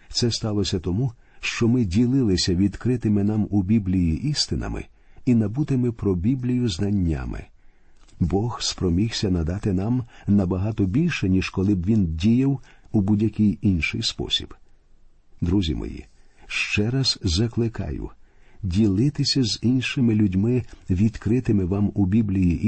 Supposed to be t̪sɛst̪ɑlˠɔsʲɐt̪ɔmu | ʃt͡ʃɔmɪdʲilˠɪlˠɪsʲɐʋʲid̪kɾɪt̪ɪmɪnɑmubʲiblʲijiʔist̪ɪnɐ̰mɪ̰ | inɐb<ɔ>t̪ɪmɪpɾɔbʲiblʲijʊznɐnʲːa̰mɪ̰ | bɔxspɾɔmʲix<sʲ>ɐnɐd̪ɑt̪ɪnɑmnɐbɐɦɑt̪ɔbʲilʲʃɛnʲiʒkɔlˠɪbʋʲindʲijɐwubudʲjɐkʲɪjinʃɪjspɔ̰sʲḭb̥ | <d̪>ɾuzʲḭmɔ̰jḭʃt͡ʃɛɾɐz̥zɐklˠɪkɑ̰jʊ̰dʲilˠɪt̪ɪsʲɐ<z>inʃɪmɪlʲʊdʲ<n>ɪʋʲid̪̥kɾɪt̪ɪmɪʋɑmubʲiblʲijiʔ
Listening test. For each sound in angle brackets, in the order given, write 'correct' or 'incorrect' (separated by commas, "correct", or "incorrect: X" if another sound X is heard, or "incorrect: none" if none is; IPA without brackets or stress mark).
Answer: incorrect: u, correct, correct, correct, incorrect: m